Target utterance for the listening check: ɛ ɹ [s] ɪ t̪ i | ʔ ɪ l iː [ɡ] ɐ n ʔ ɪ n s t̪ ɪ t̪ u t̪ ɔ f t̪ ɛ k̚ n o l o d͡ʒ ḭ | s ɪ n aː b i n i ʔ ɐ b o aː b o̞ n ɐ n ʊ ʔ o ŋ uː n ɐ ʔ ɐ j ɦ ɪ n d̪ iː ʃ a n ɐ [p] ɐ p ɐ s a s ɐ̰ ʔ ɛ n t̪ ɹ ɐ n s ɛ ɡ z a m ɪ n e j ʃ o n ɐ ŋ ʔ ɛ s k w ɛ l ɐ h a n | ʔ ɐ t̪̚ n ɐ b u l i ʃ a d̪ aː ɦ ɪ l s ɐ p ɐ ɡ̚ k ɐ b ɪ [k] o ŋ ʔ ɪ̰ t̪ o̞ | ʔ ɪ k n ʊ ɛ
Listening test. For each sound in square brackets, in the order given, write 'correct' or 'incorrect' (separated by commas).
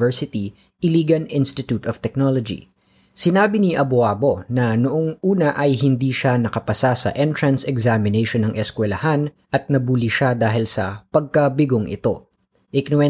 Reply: correct, correct, incorrect, incorrect